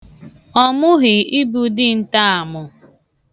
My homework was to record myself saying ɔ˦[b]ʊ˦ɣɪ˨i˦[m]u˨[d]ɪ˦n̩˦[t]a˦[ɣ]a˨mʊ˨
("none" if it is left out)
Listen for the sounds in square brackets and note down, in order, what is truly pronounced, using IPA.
m, b, d, t, none

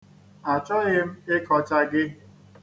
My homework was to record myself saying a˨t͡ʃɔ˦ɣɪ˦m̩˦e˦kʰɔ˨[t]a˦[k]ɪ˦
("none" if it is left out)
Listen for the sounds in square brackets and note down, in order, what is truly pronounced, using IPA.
t͡ʃ, ɡ

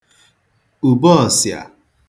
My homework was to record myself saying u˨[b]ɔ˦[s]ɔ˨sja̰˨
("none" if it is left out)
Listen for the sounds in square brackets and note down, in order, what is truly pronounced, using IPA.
b, none

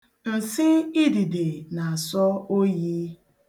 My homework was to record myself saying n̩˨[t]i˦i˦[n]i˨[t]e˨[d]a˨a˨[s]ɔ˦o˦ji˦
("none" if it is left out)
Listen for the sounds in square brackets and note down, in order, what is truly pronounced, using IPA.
s, d, d, n, s

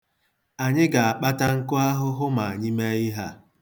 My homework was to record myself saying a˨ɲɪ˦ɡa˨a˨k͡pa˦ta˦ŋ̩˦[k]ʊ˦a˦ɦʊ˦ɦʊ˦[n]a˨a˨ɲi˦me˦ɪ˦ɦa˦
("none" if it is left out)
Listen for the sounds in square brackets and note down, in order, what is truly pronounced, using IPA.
k, m

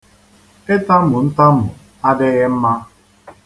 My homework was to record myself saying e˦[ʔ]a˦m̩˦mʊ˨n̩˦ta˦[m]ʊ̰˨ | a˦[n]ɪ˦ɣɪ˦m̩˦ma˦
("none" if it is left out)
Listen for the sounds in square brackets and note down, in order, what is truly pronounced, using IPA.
t, m, d

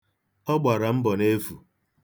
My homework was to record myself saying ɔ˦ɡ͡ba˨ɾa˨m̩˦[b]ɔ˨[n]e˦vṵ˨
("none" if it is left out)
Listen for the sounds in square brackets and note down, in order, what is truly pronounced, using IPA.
b, n

